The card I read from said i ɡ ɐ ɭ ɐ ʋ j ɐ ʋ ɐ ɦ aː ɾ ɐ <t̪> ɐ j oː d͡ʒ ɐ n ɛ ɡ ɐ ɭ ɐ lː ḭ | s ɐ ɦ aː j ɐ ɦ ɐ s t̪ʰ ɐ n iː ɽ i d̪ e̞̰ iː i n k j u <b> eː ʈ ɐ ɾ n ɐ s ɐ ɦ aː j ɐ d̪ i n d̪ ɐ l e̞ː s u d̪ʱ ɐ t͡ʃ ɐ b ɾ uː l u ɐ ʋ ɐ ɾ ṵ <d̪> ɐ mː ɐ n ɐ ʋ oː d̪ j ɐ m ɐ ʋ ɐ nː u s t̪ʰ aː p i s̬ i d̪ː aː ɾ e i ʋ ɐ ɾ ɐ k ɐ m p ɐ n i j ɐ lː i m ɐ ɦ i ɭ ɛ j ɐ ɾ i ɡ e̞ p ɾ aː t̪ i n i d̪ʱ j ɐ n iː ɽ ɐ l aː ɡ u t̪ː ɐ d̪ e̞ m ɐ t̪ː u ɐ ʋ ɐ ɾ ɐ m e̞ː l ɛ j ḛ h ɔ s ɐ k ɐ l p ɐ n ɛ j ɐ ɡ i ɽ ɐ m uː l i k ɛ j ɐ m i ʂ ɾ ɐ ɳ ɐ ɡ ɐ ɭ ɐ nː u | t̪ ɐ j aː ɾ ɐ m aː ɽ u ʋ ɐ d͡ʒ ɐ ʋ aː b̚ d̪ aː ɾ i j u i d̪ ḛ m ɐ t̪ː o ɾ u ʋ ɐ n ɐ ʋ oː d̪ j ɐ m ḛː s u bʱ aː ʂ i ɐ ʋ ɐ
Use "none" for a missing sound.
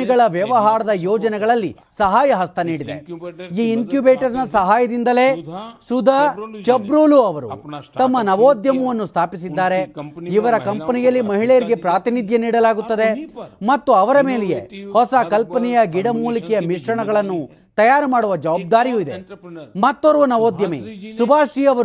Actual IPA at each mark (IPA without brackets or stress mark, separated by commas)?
d̪, b, t̪